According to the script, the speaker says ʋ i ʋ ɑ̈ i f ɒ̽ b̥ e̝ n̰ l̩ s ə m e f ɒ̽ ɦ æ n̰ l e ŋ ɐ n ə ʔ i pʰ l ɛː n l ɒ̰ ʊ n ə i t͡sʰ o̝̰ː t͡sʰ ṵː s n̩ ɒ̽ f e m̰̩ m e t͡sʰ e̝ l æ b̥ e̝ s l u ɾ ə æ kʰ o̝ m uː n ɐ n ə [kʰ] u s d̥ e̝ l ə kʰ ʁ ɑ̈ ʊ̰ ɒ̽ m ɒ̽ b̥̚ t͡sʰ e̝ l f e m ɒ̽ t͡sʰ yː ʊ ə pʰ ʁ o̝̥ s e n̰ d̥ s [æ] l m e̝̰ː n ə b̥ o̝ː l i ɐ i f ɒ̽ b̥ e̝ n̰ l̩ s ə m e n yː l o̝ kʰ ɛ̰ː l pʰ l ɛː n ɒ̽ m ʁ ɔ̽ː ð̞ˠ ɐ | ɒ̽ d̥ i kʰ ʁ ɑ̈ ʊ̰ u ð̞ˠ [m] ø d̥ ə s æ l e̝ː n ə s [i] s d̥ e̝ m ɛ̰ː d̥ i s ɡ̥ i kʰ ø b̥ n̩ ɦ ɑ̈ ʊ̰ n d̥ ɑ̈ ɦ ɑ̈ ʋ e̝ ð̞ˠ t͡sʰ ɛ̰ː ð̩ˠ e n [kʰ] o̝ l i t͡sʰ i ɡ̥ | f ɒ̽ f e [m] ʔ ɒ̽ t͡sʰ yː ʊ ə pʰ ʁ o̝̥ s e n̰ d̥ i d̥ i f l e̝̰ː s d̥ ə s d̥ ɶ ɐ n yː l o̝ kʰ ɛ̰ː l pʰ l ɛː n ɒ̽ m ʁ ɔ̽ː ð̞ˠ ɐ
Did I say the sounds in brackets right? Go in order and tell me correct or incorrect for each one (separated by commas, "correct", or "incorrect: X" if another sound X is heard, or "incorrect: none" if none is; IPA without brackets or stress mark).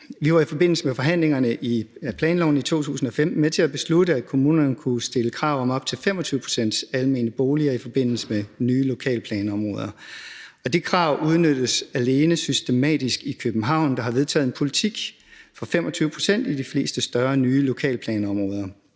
correct, correct, incorrect: n, incorrect: y, incorrect: pʰ, correct